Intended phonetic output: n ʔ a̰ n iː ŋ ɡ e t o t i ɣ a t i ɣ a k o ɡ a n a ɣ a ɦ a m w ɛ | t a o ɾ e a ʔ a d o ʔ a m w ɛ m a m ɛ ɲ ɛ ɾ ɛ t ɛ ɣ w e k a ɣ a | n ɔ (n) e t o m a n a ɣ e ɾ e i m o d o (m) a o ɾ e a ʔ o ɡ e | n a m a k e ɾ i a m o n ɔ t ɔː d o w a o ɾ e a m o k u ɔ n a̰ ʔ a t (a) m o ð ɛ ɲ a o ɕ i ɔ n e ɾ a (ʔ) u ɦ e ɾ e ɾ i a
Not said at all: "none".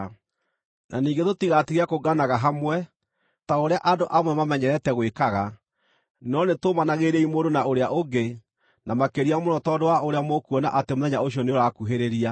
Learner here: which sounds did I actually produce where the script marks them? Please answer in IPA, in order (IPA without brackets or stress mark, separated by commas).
n, n, e, k